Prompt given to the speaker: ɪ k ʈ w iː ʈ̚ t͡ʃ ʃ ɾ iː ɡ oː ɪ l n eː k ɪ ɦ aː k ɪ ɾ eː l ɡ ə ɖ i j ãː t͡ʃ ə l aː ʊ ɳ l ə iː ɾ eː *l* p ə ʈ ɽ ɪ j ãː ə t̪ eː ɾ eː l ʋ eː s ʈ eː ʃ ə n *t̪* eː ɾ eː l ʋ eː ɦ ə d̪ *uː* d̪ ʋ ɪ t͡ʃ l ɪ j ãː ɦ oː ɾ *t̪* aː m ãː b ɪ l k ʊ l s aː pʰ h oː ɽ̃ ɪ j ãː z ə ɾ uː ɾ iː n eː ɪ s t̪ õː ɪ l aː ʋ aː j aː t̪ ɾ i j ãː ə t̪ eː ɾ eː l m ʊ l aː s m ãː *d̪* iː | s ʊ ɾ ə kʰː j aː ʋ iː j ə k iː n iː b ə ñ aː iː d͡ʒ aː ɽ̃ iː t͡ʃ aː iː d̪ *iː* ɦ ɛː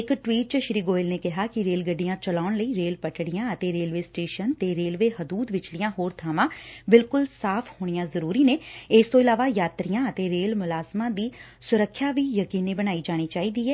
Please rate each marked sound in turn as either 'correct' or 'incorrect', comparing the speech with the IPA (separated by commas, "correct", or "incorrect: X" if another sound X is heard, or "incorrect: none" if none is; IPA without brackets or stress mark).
correct, correct, correct, incorrect: t̪ʰ, correct, correct